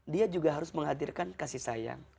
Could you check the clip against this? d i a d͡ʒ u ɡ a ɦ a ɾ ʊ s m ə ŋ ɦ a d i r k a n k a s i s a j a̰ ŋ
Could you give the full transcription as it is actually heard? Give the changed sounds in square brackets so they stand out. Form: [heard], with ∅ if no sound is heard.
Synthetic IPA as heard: d i a d͡ʒ u ɡ a ɦ a ɾ ʊ s m ə ŋ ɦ a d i r k a n k a s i s a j a̰ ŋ